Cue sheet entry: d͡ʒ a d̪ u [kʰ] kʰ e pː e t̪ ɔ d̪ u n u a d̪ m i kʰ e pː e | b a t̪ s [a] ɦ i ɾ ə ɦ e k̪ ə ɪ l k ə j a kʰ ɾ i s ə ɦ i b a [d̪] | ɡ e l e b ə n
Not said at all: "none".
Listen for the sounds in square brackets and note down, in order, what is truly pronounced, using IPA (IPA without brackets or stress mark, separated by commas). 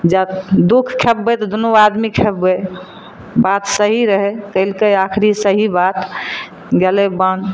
kʰ, ə, t̪